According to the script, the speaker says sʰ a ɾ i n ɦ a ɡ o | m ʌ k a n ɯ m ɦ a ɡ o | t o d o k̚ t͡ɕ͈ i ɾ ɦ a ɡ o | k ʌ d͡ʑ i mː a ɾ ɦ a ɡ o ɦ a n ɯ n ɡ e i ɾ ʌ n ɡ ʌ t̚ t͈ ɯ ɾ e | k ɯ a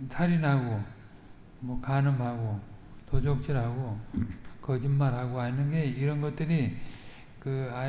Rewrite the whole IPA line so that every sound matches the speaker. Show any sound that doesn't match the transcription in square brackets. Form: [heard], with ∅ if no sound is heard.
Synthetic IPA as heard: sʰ a ɾ i n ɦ a ɡ o | m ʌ k a n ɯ m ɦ a ɡ o | t o [d͡ʑ] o k̚ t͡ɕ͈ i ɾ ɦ a ɡ o | k ʌ d͡ʑ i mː a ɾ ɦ a ɡ o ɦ a n ɯ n ɡ e i ɾ ʌ n ɡ ʌ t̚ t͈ ɯ ɾ [i] | k ɯ a